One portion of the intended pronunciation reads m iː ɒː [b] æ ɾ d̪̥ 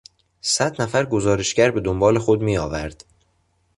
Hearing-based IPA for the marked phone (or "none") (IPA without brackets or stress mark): v